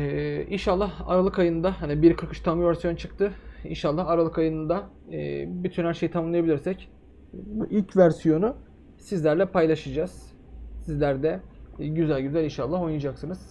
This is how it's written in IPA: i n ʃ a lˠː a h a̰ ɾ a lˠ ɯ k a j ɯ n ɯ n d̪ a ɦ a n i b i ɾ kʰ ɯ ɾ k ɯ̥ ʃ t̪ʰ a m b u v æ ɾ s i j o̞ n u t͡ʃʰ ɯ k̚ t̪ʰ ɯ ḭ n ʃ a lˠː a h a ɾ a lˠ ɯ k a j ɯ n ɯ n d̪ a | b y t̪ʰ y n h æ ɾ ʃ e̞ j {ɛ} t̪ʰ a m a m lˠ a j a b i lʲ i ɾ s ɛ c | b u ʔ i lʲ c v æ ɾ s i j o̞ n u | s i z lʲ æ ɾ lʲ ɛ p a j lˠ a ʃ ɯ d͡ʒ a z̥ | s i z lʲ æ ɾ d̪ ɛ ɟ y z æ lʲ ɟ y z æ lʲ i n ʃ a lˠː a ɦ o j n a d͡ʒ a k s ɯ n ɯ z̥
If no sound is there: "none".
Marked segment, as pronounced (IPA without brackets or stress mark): i